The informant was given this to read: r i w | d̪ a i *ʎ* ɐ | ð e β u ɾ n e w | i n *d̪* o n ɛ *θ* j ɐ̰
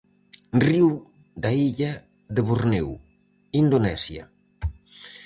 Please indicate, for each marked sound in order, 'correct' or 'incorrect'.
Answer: correct, correct, incorrect: s

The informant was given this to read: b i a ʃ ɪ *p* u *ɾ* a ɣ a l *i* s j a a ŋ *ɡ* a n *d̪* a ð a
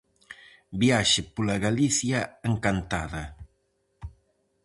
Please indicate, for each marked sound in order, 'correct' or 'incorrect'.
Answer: correct, incorrect: l, correct, incorrect: k, incorrect: t̪

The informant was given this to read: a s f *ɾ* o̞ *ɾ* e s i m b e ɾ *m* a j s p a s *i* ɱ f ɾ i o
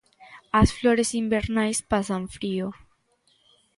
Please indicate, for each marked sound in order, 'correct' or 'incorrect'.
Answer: incorrect: l, correct, incorrect: n, incorrect: a

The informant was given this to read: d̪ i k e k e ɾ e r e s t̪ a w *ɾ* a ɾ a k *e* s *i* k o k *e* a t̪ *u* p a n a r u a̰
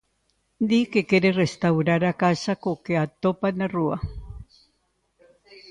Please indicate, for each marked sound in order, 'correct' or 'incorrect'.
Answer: correct, incorrect: a, incorrect: a, correct, incorrect: o

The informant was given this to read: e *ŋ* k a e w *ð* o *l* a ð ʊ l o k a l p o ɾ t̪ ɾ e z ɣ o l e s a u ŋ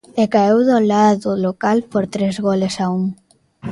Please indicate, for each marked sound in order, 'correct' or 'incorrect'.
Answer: incorrect: none, correct, correct

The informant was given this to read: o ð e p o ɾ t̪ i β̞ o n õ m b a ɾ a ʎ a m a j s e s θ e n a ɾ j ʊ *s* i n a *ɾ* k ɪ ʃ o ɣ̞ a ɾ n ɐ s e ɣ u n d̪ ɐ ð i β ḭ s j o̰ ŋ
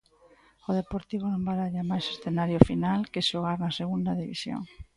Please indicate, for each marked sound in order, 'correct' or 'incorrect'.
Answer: incorrect: f, incorrect: l

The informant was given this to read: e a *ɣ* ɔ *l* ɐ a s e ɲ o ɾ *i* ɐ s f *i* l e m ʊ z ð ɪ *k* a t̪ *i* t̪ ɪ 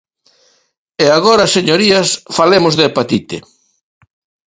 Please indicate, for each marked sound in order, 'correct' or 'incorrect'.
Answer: correct, incorrect: ɾ, correct, incorrect: a, incorrect: p, correct

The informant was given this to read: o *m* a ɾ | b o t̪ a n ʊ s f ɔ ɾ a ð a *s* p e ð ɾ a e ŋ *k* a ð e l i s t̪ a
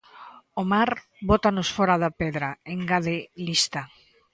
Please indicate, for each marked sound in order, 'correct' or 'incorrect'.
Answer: correct, incorrect: none, incorrect: ɡ

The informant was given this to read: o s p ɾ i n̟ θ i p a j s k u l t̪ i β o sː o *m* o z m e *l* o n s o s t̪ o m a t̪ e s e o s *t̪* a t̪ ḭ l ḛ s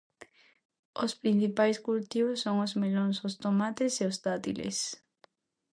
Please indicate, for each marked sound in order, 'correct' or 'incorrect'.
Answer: incorrect: ŋ, correct, correct

